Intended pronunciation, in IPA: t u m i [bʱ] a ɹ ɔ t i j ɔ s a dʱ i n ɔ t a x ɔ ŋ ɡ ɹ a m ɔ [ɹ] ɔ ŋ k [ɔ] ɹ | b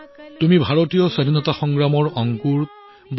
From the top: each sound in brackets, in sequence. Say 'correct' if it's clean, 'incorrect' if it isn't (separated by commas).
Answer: correct, correct, incorrect